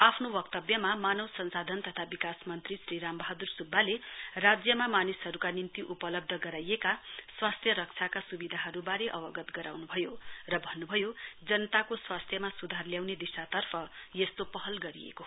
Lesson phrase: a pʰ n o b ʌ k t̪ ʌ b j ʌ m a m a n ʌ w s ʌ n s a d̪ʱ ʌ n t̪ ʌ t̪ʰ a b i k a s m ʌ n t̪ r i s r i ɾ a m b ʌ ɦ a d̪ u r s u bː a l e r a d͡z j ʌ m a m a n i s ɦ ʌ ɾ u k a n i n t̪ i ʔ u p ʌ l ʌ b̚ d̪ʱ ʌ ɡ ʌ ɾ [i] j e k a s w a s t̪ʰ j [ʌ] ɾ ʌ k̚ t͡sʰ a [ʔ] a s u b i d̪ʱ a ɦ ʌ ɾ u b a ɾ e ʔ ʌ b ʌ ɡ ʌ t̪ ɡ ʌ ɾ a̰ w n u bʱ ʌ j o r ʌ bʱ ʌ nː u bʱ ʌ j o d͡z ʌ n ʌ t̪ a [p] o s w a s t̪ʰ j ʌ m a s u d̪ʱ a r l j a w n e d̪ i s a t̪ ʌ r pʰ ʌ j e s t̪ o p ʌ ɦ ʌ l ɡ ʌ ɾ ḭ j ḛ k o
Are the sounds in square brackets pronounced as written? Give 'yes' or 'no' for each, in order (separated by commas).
no, yes, no, no